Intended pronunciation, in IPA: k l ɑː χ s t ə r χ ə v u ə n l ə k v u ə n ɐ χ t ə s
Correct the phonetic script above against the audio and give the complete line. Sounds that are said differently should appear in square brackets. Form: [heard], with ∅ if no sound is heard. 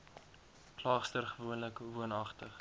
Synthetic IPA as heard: k l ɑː χ s t ə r χ ə v u ə n l ə k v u ə n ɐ χ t ə [χ]